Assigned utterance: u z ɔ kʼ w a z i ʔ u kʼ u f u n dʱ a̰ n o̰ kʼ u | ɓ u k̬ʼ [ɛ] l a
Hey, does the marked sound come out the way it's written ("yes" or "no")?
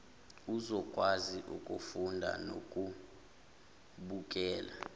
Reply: no